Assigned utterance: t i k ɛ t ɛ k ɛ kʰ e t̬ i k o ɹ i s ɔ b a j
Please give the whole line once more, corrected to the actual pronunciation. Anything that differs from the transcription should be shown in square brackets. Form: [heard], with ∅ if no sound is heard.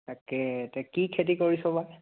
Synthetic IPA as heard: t [a] k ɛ t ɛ k [i] kʰ e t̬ i k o ɹ i s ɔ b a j